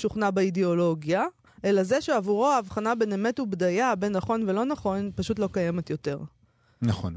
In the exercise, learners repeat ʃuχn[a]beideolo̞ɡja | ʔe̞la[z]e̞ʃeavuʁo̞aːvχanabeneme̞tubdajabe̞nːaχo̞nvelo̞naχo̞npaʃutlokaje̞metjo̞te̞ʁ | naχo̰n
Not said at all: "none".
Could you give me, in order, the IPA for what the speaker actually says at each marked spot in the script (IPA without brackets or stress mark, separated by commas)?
a, z